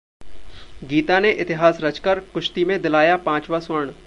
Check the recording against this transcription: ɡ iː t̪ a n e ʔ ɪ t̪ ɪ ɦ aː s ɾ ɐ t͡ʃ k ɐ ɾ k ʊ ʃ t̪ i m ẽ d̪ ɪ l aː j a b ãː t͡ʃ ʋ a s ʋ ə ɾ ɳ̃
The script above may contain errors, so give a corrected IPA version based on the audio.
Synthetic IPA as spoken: ɡ iː t̪ a n e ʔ ɪ t̪ ɪ ɦ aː s ɾ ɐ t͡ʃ k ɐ ɾ k ʊ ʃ t̪ i m ẽ d̪ ɪ l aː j a p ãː t͡ʃ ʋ a s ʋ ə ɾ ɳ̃

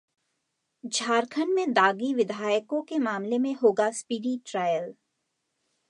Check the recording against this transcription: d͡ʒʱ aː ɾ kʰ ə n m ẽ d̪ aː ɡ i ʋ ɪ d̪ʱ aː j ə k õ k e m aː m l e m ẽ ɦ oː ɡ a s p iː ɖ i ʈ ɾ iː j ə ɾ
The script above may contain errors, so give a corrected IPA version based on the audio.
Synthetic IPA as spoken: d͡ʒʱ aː ɾ kʰ ə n m ẽ d̪ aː ɡ i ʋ ɪ d̪ʱ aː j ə k õ k e m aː m l e m ẽ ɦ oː ɡ a s p iː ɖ i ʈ ɾ aː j ə l

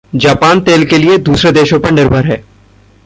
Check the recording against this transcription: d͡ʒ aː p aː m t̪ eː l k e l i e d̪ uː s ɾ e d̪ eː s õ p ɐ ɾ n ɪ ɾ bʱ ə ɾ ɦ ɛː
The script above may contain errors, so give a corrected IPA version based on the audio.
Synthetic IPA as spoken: d͡ʒ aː p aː n t̪ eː l k e l i e d̪ uː s ɾ e d̪ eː ʃ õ p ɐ ɾ n ɪ ɾ bʱ ə ɾ ɦ ɛː

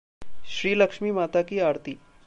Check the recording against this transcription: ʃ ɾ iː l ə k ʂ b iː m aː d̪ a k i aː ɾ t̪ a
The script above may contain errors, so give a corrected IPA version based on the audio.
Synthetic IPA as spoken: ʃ ɾ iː l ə k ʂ m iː m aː t̪ a k i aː ɾ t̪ i

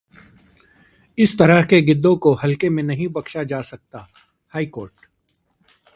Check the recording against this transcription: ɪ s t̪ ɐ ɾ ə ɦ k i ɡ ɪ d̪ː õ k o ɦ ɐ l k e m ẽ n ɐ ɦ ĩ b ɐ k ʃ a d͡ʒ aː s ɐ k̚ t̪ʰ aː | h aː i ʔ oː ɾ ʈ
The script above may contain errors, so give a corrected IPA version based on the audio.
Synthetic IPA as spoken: ɪ s t̪ ɐ ɾ ə ɦ k e ɡ ɪ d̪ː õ k o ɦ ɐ l k e m ẽ n ɐ ɦ ĩ b ɐ k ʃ a d͡ʒ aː s ɐ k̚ t̪ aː | h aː i k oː ɾ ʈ

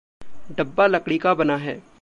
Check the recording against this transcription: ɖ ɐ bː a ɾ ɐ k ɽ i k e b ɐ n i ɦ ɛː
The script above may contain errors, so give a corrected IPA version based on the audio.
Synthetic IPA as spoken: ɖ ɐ bː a l ɐ k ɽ i k a b ɐ n a ɦ ɛː

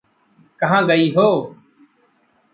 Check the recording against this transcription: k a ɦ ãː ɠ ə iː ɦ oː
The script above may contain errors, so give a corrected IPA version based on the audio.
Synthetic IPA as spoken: k ə ɦ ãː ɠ ə iː ɦ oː

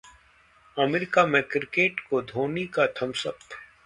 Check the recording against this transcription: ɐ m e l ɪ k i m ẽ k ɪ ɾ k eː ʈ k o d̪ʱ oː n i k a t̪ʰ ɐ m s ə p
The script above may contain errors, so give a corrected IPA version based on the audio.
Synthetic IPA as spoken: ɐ m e ɾ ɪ k a m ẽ k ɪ ɾ k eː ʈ k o d̪ʱ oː n i k a t̪ʰ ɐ m s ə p

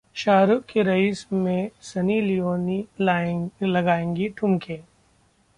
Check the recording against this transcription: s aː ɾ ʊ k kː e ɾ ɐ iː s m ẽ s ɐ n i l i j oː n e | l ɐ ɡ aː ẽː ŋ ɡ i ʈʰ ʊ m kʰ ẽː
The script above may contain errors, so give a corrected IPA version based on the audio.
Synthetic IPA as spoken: ʃ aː ɾ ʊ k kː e ɾ ɐ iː s m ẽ s ɐ n i l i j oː n i | l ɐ ɡ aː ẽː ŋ ɡ i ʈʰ ʊ m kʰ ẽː

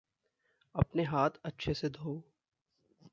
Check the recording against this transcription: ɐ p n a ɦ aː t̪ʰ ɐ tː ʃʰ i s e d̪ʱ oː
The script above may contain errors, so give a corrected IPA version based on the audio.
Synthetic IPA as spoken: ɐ p n e ɦ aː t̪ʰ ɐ tː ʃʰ e s e d̪ʱ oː

